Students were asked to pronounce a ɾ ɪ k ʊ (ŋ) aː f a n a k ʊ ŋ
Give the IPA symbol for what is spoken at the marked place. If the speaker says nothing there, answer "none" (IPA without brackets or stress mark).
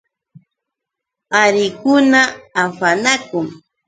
n